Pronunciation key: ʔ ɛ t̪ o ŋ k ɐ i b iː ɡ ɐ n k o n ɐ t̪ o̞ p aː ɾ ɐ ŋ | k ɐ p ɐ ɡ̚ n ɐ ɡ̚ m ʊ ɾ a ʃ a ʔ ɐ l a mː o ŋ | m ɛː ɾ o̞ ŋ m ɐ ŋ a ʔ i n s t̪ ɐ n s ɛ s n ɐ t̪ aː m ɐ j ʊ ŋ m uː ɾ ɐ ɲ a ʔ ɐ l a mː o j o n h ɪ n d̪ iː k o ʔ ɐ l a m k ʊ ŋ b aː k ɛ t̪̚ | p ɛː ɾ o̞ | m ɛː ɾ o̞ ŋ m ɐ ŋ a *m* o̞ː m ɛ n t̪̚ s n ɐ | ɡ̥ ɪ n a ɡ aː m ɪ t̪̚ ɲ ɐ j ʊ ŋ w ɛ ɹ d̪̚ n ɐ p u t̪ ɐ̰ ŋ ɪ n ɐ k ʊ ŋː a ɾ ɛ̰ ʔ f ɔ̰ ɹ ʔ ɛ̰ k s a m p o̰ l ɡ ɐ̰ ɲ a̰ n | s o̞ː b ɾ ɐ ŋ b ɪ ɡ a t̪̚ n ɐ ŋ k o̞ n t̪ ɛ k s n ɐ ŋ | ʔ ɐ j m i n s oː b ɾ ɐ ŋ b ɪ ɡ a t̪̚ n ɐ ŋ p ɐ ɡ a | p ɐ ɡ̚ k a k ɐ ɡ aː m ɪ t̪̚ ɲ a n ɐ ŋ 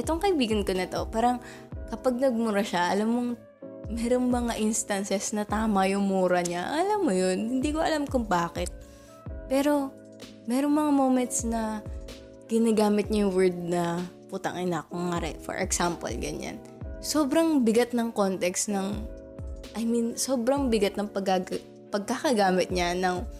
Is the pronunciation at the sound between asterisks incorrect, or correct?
correct